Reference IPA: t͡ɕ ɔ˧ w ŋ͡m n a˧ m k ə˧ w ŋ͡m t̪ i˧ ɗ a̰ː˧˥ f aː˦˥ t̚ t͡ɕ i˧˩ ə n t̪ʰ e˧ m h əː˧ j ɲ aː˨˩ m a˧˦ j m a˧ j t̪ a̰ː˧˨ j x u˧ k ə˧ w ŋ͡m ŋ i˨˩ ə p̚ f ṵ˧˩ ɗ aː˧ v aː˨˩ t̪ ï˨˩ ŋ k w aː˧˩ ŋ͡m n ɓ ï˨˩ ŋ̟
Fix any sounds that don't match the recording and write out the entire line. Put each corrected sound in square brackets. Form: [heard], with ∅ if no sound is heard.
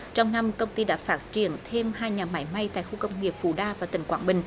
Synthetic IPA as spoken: t͡ɕ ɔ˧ w ŋ͡m n a˧ m k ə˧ w ŋ͡m t̪ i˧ ɗ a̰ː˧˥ f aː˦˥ t̚ t͡ɕ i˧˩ ə n t̪ʰ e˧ m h [aː˧] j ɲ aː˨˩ m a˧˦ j m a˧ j t̪ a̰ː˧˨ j x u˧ k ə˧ w ŋ͡m ŋ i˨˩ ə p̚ f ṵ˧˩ ɗ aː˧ v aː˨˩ t̪ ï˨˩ ŋ k w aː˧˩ [∅] n ɓ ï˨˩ ŋ̟